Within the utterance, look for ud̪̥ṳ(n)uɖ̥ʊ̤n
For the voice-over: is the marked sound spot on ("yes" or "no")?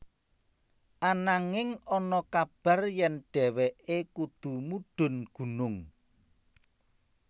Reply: no